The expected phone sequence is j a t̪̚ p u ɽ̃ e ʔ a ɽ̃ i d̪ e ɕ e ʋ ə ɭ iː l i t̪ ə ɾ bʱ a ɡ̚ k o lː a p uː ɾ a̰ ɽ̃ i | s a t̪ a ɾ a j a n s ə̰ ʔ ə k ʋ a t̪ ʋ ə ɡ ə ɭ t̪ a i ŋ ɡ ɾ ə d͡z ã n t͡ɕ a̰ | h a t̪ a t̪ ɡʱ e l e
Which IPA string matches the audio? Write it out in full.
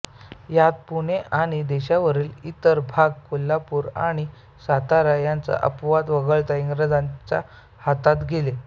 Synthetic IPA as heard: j a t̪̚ p u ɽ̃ e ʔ a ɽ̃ i d̪ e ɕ a ʋ ə ɾ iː l i t̪ ə ɾ bʱ a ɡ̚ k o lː a p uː ɾ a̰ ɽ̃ i | s a t̪ a ɾ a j a n t͡s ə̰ ʔ ə p ʋ a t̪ ʋ ə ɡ ə ɭ t̪ a i ŋ ɡ ɾ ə d͡z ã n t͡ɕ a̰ | h a t̪ a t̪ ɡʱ e l e